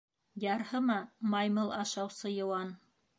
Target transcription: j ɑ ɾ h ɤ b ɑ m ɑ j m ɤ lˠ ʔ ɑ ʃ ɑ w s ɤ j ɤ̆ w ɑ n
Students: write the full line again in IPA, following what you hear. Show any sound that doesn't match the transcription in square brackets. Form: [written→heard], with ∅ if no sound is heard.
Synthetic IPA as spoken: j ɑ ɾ h ɤ [b→m] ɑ m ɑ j m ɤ lˠ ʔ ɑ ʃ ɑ w s ɤ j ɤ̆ w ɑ n